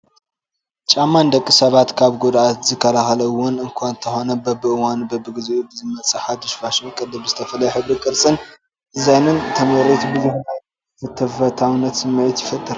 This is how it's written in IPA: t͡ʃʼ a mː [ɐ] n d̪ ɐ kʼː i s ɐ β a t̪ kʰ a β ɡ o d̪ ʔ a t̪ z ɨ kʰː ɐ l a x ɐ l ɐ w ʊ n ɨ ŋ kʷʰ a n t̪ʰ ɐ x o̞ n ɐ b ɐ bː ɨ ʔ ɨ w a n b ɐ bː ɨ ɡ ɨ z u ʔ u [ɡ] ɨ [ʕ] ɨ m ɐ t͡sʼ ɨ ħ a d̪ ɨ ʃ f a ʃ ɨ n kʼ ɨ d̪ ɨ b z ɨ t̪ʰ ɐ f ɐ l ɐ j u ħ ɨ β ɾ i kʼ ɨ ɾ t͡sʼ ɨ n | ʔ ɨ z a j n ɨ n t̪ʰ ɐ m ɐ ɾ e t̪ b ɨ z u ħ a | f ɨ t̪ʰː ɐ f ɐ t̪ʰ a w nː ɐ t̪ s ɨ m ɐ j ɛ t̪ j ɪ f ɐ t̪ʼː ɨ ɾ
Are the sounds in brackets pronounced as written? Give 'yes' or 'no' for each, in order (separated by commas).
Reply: no, no, no